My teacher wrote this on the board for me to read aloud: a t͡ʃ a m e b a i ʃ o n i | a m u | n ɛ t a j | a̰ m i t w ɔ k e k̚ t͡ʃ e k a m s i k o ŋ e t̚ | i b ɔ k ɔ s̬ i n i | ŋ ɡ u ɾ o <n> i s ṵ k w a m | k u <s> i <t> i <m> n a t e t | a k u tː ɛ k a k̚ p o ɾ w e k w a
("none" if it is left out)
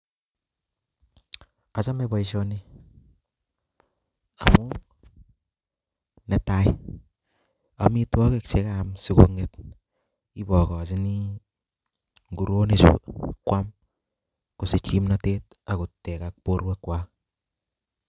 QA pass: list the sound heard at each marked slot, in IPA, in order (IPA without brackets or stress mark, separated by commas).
n, s, t͡ʃ, m